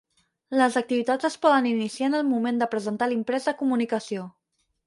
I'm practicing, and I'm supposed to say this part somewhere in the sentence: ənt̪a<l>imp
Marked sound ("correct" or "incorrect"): correct